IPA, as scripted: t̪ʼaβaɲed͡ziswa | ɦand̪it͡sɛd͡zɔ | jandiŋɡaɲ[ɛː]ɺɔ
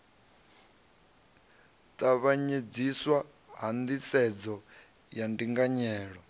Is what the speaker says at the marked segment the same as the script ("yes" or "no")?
yes